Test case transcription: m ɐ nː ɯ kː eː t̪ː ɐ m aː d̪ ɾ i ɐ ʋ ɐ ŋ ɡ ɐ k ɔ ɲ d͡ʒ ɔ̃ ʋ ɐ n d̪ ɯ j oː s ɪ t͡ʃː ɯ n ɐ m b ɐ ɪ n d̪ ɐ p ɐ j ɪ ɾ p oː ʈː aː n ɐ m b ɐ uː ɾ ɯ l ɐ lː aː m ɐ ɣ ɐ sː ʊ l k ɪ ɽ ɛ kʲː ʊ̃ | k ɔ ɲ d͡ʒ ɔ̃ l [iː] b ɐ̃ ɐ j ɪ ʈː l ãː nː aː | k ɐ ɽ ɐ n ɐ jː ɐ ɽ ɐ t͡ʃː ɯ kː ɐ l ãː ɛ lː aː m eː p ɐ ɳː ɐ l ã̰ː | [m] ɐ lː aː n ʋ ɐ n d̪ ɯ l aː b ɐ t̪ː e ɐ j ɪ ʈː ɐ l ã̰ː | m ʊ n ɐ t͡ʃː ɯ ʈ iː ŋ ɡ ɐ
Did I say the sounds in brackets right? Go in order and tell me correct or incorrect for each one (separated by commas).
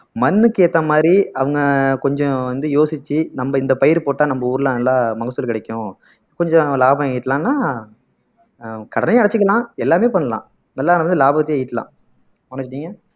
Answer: incorrect, incorrect